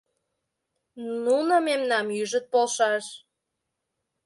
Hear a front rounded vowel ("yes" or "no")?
yes